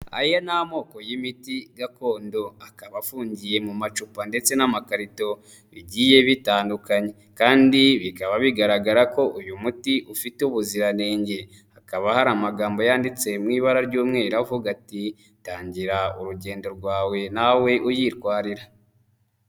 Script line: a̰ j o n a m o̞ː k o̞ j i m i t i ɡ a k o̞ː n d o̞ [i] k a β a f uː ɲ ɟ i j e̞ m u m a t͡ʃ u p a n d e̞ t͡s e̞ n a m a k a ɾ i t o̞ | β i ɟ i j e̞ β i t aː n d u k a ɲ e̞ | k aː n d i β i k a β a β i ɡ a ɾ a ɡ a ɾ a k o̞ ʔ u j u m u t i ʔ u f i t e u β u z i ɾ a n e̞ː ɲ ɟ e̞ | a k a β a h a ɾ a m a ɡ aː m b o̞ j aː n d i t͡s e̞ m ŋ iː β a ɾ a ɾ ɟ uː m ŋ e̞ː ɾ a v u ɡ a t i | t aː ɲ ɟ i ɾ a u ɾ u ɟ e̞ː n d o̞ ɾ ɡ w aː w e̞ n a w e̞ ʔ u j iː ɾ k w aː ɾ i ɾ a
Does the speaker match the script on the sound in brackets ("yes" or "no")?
no